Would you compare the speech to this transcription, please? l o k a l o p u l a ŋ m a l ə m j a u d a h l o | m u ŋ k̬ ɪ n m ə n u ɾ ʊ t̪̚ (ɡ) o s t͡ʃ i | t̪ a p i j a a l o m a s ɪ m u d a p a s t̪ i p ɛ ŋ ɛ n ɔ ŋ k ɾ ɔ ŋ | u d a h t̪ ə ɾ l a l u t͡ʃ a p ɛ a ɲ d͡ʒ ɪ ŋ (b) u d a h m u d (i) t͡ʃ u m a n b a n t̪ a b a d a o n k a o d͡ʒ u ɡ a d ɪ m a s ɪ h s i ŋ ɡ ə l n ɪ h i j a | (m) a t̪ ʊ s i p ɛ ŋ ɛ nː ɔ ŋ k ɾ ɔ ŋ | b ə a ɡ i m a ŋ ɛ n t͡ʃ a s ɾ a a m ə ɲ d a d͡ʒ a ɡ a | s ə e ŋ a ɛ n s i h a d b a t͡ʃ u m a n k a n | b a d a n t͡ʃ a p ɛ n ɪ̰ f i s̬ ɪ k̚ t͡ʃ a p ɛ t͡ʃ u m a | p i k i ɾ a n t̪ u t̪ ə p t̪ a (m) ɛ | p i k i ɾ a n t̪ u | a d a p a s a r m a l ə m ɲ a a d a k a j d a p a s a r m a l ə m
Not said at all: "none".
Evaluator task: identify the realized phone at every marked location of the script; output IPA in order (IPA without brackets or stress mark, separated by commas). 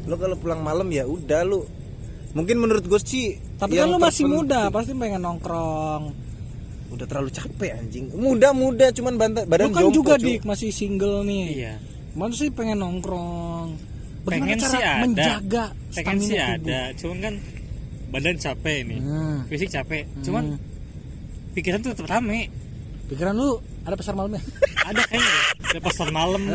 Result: ɡ, m, a, m, m